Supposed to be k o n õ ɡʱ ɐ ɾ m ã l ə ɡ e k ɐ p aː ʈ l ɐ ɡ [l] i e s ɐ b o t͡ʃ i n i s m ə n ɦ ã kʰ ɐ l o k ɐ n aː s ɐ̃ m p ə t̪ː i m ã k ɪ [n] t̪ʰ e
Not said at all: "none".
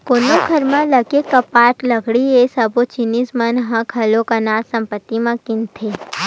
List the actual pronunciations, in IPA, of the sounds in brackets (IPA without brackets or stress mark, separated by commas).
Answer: ɽ, n